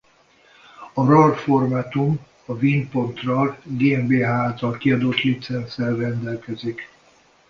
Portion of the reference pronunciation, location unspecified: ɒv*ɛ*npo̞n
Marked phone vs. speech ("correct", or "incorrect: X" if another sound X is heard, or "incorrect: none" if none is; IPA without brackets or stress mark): incorrect: i